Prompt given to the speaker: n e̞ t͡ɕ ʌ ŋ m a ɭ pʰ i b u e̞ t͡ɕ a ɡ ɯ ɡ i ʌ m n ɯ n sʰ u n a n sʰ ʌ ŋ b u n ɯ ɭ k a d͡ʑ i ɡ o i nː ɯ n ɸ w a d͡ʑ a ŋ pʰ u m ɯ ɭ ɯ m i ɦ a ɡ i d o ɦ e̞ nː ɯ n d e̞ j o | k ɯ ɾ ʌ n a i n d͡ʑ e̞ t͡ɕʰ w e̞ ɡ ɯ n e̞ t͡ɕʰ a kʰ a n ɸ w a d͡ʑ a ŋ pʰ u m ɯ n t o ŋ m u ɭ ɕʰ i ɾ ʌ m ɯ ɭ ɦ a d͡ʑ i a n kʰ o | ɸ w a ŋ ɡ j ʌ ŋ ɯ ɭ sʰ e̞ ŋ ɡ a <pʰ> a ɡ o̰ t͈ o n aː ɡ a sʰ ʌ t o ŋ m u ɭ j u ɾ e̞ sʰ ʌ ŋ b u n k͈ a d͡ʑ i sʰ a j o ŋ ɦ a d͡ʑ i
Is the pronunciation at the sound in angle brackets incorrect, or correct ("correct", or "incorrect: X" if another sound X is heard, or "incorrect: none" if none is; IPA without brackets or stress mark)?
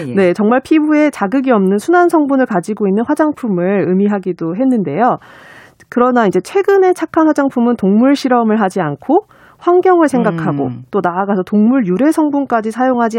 incorrect: kʰ